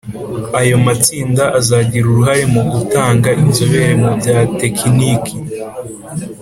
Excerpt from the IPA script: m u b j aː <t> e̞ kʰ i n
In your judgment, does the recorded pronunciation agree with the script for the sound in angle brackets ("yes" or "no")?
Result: yes